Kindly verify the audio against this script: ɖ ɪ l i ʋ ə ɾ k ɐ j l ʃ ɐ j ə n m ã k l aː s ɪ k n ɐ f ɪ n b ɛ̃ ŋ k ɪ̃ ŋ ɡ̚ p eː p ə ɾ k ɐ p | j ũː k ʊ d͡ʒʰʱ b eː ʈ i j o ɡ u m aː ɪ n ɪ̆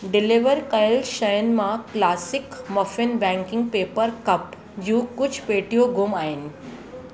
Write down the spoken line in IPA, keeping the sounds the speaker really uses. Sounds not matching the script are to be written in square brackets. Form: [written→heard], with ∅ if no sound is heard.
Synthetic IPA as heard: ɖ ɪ l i ʋ ə ɾ k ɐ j l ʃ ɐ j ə n m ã k l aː s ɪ k [n→m] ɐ f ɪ n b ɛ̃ ŋ k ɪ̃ ŋ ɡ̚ p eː p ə ɾ k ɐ p | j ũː k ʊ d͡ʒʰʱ [b→p] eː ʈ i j o ɡ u m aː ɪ n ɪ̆

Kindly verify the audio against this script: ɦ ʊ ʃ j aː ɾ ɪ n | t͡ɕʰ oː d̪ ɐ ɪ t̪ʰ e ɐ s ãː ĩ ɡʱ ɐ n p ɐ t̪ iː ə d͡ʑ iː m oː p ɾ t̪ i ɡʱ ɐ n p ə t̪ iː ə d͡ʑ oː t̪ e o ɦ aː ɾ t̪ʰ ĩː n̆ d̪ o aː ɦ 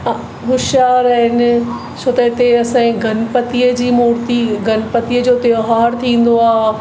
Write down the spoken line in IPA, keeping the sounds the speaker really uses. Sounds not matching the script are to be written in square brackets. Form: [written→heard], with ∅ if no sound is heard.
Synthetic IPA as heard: ɦ ʊ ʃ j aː ɾ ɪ n | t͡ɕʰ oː [d̪→t̪] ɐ ɪ [t̪ʰ→t̪] e ɐ s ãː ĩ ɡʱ ɐ n p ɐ t̪ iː ə d͡ʑ iː m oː [p→∅] ɾ t̪ i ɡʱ ɐ n p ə t̪ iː ə d͡ʑ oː t̪ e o ɦ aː ɾ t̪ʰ ĩː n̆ d̪ o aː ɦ

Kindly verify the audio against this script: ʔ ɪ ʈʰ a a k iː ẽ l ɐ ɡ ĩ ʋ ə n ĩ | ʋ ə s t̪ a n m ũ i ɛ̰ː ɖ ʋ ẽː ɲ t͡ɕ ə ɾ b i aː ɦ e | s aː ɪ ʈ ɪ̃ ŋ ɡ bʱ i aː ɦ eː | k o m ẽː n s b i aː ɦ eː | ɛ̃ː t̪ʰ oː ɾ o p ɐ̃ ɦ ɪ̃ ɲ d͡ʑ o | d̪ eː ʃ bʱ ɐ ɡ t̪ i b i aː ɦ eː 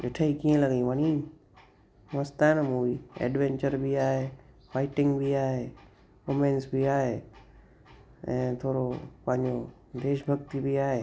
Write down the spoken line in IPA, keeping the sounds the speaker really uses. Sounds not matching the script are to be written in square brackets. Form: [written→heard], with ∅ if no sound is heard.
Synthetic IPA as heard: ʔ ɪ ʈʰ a [a→i] k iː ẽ l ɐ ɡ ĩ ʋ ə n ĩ | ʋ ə s t̪ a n m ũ i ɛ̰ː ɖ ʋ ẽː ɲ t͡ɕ ə ɾ b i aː ɦ e | [s→f] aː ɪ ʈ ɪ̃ ŋ ɡ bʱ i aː ɦ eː | k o m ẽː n s b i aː ɦ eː | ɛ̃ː t̪ʰ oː ɾ o p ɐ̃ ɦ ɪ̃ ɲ d͡ʑ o | d̪ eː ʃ bʱ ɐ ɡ t̪ i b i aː ɦ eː

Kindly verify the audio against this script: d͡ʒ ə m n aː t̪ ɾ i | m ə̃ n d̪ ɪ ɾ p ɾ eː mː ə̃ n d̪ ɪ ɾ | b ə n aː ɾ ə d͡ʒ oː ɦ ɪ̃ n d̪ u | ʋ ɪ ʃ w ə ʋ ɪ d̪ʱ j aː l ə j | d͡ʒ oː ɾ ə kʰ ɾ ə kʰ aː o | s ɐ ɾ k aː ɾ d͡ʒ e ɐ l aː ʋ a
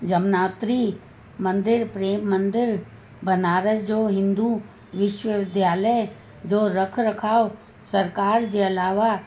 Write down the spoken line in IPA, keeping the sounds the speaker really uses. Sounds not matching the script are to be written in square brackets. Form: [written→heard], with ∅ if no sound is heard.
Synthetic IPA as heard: d͡ʒ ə m n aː t̪ ɾ i | m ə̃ n d̪ ɪ ɾ p ɾ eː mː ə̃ n d̪ ɪ ɾ | b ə n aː ɾ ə d͡ʒ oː ɦ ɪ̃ n d̪ u | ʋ ɪ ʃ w ə ʋ ɪ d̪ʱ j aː l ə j | d͡ʒ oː ɾ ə kʰ ɾ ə kʰ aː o | s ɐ ɾ k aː ɾ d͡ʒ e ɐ l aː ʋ a

